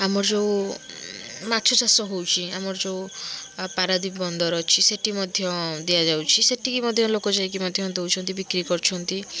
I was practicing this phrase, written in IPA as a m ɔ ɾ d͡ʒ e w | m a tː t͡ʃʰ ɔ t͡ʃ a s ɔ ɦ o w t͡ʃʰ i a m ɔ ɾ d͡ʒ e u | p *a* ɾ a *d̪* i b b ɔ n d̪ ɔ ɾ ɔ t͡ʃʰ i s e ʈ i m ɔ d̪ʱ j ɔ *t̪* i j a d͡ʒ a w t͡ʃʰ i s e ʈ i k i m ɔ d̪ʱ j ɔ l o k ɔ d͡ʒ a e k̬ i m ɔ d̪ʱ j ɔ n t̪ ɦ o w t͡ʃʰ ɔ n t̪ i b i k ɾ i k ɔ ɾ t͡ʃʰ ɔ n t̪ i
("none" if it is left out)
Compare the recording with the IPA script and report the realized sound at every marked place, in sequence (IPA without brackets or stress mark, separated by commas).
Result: a, d̪, d̪